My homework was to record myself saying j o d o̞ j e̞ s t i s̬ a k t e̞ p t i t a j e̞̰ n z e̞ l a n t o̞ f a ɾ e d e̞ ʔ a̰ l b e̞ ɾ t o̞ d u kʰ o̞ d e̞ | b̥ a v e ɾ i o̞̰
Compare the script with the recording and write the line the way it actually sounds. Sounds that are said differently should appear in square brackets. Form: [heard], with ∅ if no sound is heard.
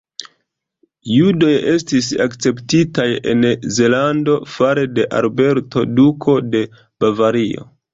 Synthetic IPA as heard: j [u] d o̞ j e̞ s t i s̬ a k [t͡s] e̞ p t i t a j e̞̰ n z e̞ l a n [d] o̞ f a ɾ e d e̞ ʔ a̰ l b e̞ ɾ t o̞ d u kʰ o̞ d e̞ | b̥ a v [a] ɾ i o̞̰